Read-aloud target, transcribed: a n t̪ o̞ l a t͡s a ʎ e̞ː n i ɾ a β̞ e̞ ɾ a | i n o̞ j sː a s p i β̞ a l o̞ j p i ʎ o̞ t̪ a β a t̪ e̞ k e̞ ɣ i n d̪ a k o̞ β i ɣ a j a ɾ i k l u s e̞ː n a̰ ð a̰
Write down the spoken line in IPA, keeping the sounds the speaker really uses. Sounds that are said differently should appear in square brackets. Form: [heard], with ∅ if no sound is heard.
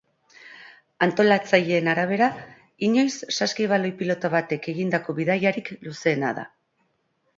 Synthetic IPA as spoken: a n t̪ o̞ l a t͡s a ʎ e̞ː n [a] ɾ a β̞ e̞ ɾ a | i [ɲ] o̞ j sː a s [k] i β̞ a l o̞ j p i [l] o̞ t̪ a β a t̪ e̞ k e̞ ɣ i n d̪ a k o̞ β i [ð] a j a ɾ i k l u s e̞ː n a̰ ð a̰